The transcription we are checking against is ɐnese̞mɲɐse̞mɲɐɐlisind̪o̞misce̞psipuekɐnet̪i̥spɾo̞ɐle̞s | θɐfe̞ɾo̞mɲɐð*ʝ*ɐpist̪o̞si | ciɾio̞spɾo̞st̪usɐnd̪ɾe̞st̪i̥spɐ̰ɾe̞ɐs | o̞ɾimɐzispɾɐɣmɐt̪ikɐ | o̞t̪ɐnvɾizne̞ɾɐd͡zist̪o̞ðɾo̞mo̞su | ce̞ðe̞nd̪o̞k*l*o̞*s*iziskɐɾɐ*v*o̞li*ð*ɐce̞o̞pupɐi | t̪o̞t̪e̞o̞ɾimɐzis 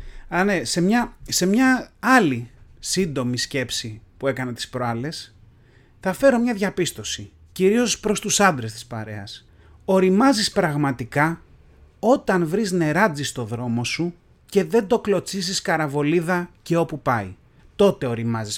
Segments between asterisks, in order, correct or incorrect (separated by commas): correct, correct, incorrect, correct, correct